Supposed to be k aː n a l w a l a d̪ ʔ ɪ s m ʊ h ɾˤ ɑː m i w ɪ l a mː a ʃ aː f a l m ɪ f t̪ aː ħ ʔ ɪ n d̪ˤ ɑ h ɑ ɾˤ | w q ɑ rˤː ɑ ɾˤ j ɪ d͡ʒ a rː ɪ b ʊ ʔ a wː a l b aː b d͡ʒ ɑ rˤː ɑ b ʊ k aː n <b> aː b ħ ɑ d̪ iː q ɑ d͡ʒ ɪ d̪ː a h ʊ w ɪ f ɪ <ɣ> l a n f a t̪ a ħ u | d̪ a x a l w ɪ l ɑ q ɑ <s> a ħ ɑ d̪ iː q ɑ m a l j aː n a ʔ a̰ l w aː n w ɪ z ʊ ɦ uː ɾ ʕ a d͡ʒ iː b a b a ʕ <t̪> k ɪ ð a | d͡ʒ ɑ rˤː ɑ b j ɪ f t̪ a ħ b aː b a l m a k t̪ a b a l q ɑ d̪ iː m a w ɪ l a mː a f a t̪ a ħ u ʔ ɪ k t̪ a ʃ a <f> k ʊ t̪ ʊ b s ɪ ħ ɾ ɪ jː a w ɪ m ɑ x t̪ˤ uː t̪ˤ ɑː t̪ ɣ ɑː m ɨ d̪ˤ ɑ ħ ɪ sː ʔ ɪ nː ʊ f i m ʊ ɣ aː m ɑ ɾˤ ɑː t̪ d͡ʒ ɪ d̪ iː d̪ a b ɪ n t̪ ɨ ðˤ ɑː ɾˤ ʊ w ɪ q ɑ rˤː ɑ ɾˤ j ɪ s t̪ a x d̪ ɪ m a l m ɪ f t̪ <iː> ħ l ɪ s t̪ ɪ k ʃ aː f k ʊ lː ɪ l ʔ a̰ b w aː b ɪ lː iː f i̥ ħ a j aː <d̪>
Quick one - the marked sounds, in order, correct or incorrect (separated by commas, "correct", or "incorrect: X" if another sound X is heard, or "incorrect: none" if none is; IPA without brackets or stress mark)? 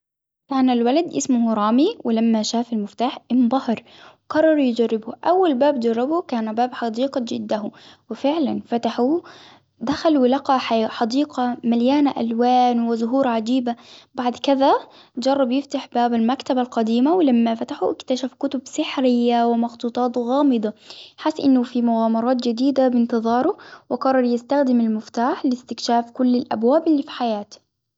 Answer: correct, incorrect: ʕ, incorrect: ħ, incorrect: d̪, correct, incorrect: aː, incorrect: t̪